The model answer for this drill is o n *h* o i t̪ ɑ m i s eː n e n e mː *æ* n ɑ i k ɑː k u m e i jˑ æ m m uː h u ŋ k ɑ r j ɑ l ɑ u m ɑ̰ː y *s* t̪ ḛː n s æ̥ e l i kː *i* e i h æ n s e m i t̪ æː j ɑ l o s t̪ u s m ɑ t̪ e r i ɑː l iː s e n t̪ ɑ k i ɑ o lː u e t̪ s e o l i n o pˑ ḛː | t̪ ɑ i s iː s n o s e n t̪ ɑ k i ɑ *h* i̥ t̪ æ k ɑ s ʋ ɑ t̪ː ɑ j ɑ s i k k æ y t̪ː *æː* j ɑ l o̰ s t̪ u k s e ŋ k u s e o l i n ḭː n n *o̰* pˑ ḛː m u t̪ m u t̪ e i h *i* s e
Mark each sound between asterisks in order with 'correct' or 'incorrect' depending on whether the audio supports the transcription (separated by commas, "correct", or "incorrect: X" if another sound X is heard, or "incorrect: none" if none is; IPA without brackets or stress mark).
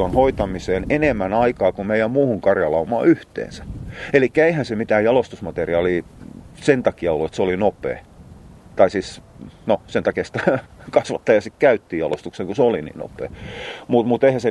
correct, correct, incorrect: h, incorrect: æ, incorrect: s, incorrect: iː, correct, incorrect: æ